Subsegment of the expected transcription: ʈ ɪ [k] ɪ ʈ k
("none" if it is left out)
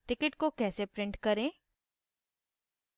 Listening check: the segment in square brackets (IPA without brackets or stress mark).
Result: k